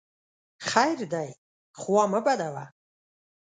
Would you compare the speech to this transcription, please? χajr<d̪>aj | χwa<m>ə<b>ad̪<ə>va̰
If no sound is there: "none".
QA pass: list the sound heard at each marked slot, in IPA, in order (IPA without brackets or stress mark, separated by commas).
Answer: d̪, m, b, a